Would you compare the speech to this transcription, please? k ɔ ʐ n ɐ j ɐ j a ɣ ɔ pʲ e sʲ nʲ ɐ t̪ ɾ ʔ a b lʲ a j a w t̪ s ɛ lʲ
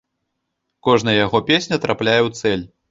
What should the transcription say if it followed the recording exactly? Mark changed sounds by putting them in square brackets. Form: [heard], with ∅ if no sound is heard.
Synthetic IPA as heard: k ɔ ʐ n ɐ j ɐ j a ɣ ɔ pʲ e sʲ nʲ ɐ t̪ ɾ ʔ a [p] lʲ a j [ɛ] w t̪ s ɛ lʲ